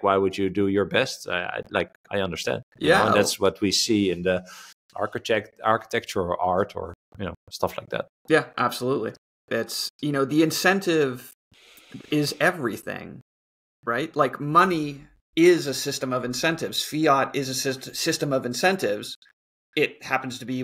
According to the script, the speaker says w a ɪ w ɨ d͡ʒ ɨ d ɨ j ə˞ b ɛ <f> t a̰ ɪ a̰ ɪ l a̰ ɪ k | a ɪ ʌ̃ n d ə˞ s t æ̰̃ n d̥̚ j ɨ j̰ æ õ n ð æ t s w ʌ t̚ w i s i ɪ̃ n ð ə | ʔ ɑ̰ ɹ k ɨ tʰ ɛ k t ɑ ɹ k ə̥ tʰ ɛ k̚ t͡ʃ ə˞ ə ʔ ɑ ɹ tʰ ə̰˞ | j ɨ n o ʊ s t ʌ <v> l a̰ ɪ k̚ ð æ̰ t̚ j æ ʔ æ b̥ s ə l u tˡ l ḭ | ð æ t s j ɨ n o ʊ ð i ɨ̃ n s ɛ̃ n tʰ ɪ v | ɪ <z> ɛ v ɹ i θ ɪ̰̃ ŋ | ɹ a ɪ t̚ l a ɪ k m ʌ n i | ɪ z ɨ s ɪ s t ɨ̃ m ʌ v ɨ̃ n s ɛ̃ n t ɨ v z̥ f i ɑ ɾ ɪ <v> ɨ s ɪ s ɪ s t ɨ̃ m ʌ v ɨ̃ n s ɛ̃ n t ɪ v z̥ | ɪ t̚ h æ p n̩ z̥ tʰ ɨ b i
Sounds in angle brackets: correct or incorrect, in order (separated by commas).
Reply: incorrect, incorrect, correct, incorrect